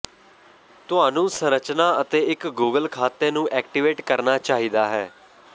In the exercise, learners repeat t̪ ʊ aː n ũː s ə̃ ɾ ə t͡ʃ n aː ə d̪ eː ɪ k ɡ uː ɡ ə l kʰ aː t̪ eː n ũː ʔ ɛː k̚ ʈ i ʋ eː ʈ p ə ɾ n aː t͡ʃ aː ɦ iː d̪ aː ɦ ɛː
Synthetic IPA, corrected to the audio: t̪ ʊ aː n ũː s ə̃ ɾ ə t͡ʃ n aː ə t̪ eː ɪ k ɡ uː ɡ ə l kʰ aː t̪ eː n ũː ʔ ɛː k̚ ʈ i ʋ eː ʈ k ə ɾ n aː t͡ʃ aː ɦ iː d̪ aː ɦ ɛː